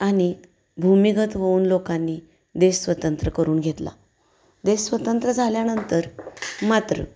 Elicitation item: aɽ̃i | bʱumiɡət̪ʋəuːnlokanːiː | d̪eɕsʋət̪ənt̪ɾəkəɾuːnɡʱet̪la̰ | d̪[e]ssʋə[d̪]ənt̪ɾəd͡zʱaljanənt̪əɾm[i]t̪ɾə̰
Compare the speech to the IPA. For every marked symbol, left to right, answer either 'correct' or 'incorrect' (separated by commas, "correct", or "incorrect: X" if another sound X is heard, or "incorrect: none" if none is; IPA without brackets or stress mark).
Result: correct, incorrect: t̪, incorrect: a